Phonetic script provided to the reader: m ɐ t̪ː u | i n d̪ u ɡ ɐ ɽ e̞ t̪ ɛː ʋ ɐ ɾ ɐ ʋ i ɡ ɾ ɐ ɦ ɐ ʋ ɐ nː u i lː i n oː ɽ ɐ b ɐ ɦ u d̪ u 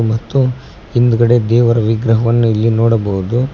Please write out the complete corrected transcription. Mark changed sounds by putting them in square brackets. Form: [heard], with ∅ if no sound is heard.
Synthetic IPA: m ɐ t̪ː u | i n d̪ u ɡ ɐ ɽ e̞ [d̪] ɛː ʋ ɐ ɾ ɐ ʋ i ɡ ɾ ɐ ɦ ɐ ʋ ɐ nː u i lː i n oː ɽ ɐ b ɐ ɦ u d̪ u

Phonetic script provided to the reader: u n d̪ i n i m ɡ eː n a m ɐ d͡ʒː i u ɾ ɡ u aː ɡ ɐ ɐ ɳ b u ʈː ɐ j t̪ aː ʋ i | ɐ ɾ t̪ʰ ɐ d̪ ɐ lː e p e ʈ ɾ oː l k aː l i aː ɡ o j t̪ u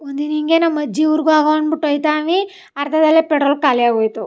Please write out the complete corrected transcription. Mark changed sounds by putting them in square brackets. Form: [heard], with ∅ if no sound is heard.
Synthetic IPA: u n d̪ i n i [ŋ] ɡ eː n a m ɐ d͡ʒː i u ɾ ɡ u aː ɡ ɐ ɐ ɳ b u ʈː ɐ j t̪ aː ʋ i | ɐ ɾ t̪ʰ ɐ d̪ ɐ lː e p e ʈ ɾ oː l k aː l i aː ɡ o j t̪ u

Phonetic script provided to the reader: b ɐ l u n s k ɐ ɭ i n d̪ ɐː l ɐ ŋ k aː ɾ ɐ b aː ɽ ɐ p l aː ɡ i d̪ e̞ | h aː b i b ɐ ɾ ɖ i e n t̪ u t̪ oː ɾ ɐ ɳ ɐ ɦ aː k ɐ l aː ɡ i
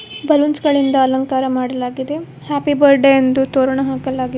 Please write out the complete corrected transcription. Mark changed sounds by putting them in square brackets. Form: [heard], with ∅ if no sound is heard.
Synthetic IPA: b ɐ l u n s [ɡ] ɐ ɭ i n d̪ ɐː l ɐ ŋ k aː ɾ ɐ [m] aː ɽ ɐ [∅] l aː ɡ i d̪ e̞ | h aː [p] i b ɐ ɾ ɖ [e] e n [d̪] u t̪ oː ɾ ɐ ɳ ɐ ɦ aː k ɐ l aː ɡ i

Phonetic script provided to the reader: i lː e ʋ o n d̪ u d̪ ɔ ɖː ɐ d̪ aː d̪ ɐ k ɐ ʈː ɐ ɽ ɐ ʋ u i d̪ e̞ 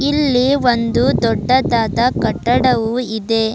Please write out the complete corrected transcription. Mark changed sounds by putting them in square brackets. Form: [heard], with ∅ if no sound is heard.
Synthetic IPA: i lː [i] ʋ o n d̪ u d̪ ɔ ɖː ɐ d̪ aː d̪ ɐ k ɐ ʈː ɐ ɽ ɐ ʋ u i d̪ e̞

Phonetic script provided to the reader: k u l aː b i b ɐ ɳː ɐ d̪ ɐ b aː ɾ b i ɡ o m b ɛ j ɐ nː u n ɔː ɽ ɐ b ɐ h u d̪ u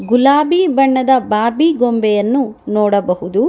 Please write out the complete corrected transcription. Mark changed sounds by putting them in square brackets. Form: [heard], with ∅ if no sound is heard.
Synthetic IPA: [ɡ] u l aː b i b ɐ ɳː ɐ d̪ ɐ b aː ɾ b i ɡ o m b ɛ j ɐ nː u n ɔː ɽ ɐ b ɐ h u d̪ u

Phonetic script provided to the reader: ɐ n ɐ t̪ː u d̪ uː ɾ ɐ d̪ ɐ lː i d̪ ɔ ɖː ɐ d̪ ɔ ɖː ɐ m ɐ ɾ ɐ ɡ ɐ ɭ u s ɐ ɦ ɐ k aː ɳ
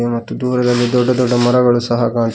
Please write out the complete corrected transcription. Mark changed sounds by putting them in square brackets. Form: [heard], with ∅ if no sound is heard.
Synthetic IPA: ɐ [m] ɐ t̪ː u d̪ uː ɾ ɐ d̪ ɐ lː i d̪ ɔ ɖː ɐ d̪ ɔ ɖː ɐ m ɐ ɾ ɐ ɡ ɐ ɭ u s ɐ ɦ ɐ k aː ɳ

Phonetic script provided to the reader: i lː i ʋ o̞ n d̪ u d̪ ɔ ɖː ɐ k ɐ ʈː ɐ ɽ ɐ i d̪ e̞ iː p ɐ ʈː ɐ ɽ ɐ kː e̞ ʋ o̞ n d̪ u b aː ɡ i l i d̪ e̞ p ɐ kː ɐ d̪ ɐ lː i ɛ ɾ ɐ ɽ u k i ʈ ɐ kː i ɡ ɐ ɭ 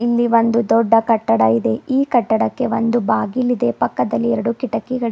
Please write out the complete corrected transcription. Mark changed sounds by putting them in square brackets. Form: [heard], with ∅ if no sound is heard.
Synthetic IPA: i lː i ʋ o̞ n d̪ u d̪ ɔ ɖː ɐ k ɐ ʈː ɐ ɽ ɐ i d̪ e̞ iː [k] ɐ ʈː ɐ ɽ ɐ kː e̞ ʋ o̞ n d̪ u b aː ɡ i l i d̪ e̞ p ɐ kː ɐ d̪ ɐ lː i ɛ ɾ ɐ ɽ u k i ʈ ɐ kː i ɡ ɐ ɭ

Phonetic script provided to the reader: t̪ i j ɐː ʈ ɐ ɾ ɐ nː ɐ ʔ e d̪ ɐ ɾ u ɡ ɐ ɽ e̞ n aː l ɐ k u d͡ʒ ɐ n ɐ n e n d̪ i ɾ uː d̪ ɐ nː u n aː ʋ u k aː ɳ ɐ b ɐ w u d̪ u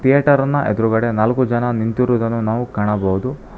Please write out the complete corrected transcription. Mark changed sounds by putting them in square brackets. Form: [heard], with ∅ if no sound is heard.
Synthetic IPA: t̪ i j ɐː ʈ ɐ ɾ ɐ nː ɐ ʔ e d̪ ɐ ɾ u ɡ ɐ ɽ e̞ n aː l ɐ k u d͡ʒ ɐ n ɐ n [i] n [t̪] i ɾ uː d̪ ɐ nː u n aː ʋ u k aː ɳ ɐ b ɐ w u d̪ u

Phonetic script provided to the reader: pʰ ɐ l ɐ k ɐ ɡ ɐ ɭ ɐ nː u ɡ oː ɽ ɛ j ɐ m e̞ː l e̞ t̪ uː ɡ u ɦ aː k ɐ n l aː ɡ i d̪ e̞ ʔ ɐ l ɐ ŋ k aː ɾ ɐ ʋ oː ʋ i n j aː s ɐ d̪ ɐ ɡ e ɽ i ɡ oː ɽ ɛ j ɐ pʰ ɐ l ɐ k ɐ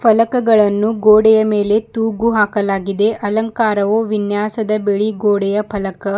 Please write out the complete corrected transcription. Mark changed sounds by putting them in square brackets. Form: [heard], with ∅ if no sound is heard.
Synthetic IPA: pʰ ɐ l ɐ k ɐ ɡ ɐ ɭ ɐ nː u ɡ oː ɽ ɛ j ɐ m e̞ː l e̞ t̪ uː ɡ u ɦ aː k ɐ [∅] l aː ɡ i d̪ e̞ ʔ ɐ l ɐ ŋ k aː ɾ ɐ ʋ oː ʋ i n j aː s ɐ d̪ ɐ [b] e [ɭ] i ɡ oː ɽ ɛ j ɐ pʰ ɐ l ɐ k ɐ

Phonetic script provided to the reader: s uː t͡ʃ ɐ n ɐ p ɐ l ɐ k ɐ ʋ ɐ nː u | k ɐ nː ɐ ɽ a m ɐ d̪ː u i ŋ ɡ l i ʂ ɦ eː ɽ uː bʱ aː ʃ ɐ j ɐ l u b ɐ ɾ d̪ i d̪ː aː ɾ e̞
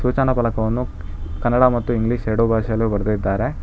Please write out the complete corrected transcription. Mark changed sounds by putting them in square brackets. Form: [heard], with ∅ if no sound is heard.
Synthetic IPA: s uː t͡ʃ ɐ n ɐ p ɐ l ɐ k ɐ ʋ ɐ nː u | k ɐ nː ɐ ɽ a m ɐ [t̪ː] u i ŋ ɡ l i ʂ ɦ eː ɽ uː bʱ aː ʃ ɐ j ɐ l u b ɐ ɾ d̪ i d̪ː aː ɾ e̞

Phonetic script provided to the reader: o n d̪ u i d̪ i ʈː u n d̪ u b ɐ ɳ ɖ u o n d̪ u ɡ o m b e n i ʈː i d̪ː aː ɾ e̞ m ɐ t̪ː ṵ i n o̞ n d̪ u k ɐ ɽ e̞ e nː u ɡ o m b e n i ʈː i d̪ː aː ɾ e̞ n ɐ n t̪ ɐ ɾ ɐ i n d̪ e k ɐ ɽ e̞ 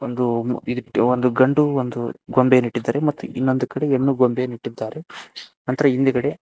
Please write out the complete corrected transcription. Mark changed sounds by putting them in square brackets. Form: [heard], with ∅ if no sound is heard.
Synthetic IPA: o n d̪ u i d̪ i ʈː [o] n d̪ u [ɡ] ɐ ɳ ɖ u o n d̪ u ɡ o m b e n i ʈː i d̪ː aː ɾ e̞ m ɐ t̪ː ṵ i [nː] o̞ n d̪ u k ɐ ɽ e̞ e nː u ɡ o m b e n i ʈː i d̪ː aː ɾ e̞ n ɐ n t̪ ɐ ɾ ɐ i n d̪ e k ɐ ɽ e̞

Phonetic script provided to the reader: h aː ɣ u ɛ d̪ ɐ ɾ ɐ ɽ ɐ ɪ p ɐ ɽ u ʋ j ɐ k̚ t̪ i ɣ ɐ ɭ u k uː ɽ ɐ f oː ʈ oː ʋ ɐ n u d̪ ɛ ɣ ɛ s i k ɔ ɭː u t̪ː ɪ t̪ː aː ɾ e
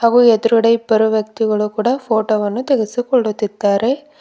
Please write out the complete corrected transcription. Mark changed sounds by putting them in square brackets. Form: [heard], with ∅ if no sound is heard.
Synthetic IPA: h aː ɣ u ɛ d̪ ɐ ɾ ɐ ɽ ɐ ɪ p ɐ [ɾ] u ʋ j ɐ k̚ t̪ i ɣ ɐ ɭ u k uː ɽ ɐ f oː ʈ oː ʋ ɐ [nː] u [t̪] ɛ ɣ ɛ s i k ɔ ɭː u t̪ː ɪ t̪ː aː ɾ e

